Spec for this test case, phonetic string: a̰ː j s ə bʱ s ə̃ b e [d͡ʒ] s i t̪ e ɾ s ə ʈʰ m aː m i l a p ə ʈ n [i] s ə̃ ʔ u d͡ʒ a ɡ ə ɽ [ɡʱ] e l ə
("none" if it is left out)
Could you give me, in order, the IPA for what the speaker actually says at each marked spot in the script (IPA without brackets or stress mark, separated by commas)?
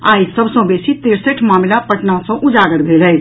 none, a, bʱ